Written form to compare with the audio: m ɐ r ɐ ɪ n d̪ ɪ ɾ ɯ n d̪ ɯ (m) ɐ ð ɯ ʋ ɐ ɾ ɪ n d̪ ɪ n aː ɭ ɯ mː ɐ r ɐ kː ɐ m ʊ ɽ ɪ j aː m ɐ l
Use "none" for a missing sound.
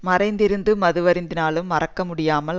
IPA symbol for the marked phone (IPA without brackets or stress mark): m